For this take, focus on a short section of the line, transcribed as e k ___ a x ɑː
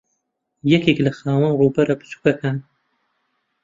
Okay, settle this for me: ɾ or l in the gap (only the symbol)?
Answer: l